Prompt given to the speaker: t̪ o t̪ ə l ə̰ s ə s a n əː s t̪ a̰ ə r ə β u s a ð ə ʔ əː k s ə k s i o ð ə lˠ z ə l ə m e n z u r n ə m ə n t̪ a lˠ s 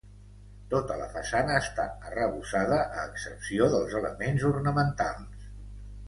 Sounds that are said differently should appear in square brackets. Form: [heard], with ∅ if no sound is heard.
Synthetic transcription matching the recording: t̪ o t̪ ə l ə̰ [f] ə s a n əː s t̪ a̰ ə r ə β u s a ð ə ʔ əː k s ə [p] s i o ð ə lˠ z ə l ə m e n z u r n ə m ə n t̪ a lˠ s